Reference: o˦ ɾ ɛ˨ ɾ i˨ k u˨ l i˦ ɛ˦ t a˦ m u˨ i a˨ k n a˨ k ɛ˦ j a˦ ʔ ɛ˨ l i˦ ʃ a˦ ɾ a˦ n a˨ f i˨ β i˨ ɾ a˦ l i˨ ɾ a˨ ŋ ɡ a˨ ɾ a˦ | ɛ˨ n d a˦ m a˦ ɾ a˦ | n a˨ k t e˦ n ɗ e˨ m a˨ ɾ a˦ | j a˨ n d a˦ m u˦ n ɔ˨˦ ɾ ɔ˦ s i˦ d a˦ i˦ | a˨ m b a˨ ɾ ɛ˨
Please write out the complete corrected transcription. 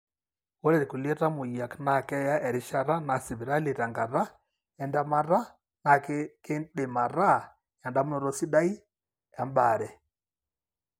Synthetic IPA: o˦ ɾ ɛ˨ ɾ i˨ k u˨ l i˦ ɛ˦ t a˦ m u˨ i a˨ k n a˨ k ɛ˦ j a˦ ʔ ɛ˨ ɾ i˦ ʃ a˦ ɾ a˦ n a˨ s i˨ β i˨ ɾ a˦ l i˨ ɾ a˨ ŋ ɡ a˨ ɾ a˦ | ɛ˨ n d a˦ m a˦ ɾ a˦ | n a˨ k k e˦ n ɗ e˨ m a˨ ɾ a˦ | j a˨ n d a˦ m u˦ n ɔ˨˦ ɾ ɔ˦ s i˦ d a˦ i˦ | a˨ m b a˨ ɾ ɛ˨